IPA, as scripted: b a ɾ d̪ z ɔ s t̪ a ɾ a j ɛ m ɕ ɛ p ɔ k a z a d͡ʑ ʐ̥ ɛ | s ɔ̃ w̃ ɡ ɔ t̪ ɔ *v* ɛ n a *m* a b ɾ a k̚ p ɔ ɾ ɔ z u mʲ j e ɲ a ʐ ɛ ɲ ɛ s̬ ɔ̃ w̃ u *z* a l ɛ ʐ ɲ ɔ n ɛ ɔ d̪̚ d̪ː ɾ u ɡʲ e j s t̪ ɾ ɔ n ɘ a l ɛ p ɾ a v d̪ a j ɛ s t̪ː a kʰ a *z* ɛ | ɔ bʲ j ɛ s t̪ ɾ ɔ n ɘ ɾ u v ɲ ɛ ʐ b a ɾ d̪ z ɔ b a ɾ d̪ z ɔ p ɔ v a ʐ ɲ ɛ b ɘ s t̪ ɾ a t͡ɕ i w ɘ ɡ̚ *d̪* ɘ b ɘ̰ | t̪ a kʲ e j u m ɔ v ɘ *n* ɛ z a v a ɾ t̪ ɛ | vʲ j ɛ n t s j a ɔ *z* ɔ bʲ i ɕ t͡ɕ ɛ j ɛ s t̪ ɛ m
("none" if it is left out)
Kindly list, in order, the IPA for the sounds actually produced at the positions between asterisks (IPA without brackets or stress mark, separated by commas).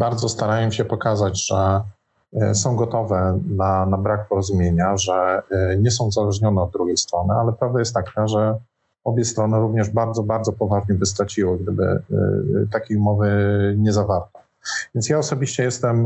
v, n, z, ʐ, d̪, ɲ, s